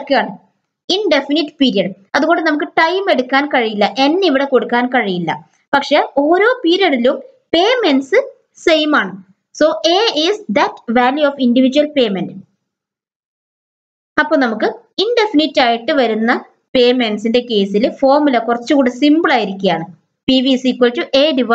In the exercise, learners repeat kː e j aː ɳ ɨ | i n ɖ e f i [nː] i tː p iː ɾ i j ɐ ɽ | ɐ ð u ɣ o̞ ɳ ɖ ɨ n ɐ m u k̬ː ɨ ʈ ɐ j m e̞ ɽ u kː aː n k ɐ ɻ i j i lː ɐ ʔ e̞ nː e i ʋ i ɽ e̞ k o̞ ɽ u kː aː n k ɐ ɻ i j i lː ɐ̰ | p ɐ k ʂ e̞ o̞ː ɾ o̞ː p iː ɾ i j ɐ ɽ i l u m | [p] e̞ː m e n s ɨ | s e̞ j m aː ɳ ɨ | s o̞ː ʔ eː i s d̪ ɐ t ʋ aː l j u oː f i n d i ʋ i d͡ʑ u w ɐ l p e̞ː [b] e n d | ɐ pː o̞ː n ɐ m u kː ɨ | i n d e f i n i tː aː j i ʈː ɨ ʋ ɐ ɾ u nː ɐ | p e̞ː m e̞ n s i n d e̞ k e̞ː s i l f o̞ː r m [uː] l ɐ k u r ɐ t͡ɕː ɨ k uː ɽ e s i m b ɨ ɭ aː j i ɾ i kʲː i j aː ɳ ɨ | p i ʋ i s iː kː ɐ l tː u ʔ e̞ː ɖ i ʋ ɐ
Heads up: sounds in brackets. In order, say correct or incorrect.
incorrect: n, correct, incorrect: m, incorrect: u

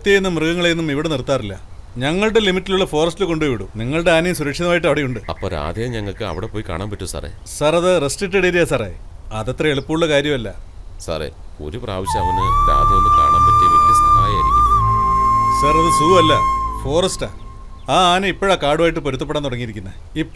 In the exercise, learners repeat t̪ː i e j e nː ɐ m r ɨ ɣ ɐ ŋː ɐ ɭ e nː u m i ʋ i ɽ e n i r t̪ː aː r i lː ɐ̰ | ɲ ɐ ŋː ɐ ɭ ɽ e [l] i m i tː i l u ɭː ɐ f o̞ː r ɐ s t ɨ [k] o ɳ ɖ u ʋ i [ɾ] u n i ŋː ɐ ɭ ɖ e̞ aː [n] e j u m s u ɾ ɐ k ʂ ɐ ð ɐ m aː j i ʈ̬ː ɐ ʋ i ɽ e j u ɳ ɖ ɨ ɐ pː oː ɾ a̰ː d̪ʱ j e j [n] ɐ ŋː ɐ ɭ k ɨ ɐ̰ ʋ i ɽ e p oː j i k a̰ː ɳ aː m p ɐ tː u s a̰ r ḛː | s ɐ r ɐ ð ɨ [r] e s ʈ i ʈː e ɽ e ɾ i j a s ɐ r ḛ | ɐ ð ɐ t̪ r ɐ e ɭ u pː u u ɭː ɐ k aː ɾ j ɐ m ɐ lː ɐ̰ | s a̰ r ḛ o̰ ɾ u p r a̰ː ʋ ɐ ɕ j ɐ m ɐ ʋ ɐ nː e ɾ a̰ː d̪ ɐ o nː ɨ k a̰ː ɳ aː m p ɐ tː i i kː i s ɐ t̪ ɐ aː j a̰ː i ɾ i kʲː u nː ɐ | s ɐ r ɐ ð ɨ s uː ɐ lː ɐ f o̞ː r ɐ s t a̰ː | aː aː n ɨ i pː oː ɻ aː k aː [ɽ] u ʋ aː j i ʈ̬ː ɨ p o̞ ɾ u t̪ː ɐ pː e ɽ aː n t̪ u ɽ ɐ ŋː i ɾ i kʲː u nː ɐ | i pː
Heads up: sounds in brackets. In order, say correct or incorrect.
correct, correct, incorrect: ɽ, correct, incorrect: ɲ, correct, correct

